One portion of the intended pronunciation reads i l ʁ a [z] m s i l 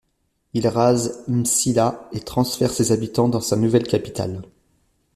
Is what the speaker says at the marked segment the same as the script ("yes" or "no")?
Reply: yes